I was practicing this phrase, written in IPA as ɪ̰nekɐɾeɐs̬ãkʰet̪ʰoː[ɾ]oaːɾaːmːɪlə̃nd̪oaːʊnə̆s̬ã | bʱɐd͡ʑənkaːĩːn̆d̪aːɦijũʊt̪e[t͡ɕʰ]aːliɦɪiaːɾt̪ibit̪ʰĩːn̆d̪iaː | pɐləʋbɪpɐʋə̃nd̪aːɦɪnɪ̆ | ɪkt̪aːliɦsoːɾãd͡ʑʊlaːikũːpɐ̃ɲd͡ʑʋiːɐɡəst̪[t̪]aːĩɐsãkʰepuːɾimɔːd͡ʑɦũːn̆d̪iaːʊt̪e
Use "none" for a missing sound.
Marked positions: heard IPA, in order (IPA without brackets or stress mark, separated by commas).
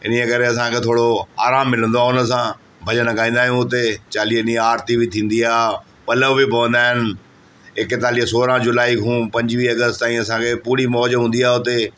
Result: ɽ, t͡ɕ, t̪